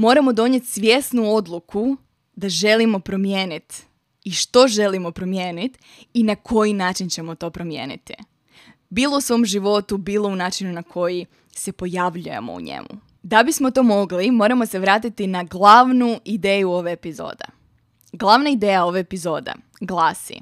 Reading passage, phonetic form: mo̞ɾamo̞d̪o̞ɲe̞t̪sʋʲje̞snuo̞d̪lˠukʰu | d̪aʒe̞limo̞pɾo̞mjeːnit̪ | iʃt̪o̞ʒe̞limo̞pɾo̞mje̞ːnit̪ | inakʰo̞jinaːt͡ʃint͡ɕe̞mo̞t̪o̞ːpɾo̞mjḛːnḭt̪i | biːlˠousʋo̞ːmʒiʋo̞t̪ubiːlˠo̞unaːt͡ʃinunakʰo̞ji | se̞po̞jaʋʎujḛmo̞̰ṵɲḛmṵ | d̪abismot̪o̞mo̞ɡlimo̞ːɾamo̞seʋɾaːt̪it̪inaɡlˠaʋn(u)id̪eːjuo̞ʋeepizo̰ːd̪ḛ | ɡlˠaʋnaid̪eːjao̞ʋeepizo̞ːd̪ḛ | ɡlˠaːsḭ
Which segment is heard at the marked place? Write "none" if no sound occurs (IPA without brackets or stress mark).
u